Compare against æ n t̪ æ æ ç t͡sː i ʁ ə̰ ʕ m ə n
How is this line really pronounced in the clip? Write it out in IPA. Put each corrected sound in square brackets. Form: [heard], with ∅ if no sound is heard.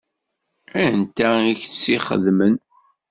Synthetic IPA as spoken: æ n t̪ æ [i] ç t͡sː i [χ] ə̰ [ð] m ə n